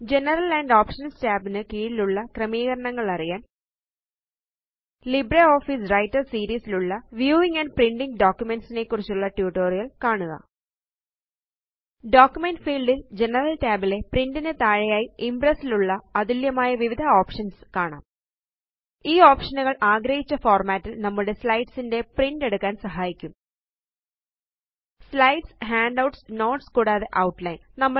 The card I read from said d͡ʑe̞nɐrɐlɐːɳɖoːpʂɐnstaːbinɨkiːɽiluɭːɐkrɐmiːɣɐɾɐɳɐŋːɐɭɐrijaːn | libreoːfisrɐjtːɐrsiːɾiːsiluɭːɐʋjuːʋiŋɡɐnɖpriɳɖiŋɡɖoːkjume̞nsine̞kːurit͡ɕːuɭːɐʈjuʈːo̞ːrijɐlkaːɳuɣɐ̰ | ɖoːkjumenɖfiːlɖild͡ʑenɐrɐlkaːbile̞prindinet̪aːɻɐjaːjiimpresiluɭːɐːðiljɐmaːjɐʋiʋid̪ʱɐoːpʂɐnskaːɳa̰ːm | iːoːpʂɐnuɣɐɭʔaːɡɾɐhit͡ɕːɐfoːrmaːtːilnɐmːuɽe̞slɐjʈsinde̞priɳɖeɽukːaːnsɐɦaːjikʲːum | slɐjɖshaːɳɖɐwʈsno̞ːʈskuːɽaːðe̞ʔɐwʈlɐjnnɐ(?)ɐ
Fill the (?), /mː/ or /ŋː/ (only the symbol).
mː